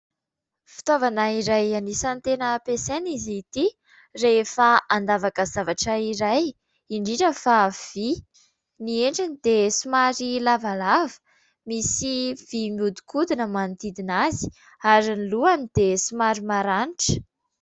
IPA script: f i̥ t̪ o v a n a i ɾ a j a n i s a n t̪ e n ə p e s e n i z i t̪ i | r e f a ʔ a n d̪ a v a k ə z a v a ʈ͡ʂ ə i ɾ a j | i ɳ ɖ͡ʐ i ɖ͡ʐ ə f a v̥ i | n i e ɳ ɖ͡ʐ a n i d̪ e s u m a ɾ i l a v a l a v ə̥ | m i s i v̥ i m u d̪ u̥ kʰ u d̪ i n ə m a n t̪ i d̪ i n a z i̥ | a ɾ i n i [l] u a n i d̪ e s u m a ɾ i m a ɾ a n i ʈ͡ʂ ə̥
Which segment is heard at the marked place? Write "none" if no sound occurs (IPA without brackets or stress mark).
l